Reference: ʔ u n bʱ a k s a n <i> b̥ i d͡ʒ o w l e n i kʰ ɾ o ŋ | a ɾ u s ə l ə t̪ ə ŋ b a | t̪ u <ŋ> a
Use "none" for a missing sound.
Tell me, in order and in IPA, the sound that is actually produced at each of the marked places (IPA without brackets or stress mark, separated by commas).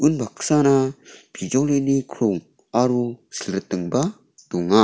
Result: a, ŋ